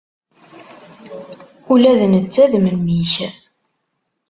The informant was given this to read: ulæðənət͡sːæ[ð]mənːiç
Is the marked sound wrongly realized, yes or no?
no